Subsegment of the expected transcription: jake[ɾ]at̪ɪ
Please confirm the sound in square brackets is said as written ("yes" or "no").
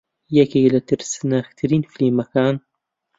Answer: no